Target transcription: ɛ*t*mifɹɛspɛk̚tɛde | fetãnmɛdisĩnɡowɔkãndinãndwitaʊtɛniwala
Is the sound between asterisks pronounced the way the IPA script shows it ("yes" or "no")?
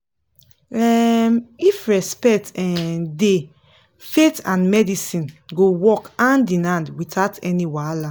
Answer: no